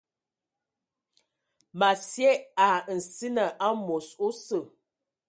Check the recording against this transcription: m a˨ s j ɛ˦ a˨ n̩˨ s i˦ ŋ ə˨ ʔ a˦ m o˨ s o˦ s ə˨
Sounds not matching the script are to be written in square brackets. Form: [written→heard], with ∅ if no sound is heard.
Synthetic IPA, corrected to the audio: m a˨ s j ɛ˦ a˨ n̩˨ s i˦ [ŋ→n] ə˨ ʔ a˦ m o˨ s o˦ s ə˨